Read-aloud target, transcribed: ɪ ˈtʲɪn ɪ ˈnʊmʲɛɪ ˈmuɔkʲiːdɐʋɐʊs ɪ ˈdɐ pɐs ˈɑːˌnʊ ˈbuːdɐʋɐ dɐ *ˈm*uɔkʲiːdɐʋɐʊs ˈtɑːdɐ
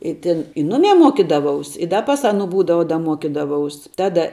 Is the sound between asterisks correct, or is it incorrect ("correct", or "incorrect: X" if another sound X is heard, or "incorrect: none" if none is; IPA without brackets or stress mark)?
correct